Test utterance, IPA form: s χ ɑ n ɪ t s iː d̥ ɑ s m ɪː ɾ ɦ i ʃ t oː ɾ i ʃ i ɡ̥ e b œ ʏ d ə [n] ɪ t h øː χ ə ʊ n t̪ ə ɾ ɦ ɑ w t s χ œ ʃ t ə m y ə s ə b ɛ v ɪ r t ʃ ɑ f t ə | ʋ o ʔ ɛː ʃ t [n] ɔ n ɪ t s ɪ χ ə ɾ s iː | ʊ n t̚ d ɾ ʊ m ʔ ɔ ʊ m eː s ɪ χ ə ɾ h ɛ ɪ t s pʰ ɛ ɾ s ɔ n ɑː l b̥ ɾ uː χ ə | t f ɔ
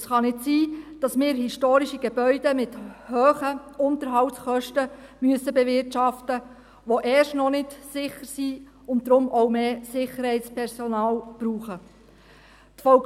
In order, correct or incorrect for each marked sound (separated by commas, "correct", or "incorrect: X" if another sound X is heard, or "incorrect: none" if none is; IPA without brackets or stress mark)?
incorrect: m, correct